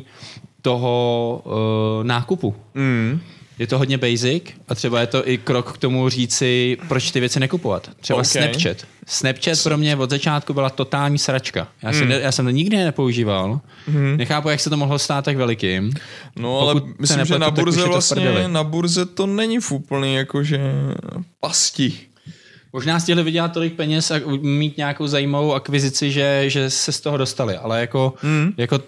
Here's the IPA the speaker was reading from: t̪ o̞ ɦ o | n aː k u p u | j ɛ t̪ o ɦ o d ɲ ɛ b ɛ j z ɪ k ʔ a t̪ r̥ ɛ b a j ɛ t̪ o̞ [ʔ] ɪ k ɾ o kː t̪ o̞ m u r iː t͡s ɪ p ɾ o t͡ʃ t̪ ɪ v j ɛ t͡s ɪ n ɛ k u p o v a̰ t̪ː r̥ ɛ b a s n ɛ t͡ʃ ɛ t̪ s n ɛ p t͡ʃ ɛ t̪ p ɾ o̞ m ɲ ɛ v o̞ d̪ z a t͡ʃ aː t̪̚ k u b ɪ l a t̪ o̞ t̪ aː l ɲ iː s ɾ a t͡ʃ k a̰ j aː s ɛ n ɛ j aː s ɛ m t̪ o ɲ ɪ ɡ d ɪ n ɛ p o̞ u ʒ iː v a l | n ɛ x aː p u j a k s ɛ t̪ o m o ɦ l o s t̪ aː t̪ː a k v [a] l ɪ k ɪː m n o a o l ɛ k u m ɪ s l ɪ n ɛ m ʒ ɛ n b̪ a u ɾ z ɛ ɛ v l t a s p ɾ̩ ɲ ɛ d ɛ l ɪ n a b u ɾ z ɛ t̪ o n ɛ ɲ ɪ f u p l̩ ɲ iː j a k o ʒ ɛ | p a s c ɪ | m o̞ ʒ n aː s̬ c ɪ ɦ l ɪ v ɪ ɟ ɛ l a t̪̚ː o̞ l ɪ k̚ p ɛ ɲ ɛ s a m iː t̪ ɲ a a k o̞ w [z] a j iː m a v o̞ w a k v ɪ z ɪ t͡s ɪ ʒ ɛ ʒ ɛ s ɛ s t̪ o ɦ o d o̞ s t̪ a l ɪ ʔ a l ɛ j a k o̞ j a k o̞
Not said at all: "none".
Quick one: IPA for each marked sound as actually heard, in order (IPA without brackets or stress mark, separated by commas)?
ʔ, ɛ, z